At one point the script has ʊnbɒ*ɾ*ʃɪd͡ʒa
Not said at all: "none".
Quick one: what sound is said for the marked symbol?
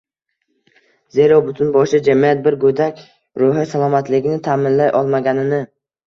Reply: none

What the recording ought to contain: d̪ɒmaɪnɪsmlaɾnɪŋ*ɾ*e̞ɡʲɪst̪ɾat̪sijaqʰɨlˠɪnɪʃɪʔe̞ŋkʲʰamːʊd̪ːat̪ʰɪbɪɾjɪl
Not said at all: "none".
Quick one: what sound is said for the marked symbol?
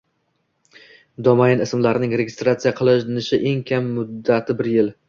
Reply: ɾ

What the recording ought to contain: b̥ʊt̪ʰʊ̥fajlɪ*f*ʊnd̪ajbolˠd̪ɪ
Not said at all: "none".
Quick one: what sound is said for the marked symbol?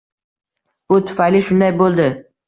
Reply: ʃ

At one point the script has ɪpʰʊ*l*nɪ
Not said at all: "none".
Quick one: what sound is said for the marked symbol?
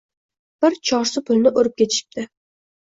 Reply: l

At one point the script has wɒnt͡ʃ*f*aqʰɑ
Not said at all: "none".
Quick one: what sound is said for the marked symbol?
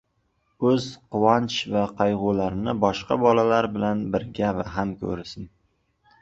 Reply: v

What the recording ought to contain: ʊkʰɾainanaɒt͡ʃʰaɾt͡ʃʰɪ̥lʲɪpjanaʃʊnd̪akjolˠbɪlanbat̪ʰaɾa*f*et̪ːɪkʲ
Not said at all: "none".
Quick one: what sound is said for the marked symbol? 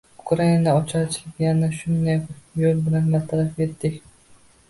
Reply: f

